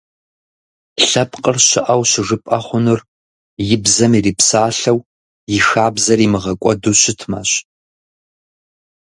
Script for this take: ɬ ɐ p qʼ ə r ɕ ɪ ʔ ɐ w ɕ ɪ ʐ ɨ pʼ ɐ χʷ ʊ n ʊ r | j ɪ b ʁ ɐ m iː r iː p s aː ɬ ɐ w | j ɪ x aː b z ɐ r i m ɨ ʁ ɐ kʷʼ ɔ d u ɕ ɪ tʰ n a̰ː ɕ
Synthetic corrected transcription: ɬ ɐ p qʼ ə r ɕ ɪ ʔ ɐ w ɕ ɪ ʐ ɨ pʼ ɐ χʷ ʊ n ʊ r | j ɪ b z ɐ m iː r iː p s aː ɬ ɐ w | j ɪ x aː b z ɐ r i m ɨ ʁ ɐ kʷʼ ɔ d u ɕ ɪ tʰ m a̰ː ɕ